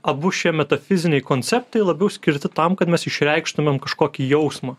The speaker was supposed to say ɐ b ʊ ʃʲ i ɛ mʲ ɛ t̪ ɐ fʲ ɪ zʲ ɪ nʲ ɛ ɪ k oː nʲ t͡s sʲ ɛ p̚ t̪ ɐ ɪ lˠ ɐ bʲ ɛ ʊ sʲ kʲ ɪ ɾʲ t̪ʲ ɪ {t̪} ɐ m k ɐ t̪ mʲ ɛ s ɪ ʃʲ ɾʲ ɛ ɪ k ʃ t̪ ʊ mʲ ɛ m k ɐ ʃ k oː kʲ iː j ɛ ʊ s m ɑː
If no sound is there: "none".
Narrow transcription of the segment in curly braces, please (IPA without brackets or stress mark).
t̪